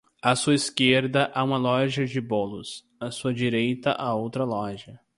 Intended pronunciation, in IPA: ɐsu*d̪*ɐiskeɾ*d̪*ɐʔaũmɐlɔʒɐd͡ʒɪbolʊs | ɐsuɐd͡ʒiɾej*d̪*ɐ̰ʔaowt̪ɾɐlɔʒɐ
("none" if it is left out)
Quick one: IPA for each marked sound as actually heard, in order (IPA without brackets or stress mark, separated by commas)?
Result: none, d̪, t̪